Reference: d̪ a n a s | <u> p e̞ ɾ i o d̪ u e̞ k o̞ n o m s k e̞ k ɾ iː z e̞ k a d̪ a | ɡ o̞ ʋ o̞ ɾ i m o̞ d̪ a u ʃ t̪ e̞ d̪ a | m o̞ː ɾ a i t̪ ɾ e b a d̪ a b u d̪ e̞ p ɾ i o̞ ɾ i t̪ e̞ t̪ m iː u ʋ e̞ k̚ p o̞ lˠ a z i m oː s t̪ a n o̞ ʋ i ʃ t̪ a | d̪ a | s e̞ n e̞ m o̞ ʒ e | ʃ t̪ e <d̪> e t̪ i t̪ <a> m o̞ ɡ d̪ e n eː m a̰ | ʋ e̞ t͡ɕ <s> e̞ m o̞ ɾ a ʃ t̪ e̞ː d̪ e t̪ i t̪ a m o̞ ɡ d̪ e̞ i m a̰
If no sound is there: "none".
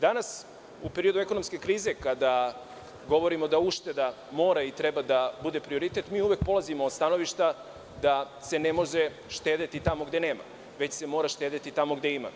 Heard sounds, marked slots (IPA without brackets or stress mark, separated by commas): u, d̪, a, s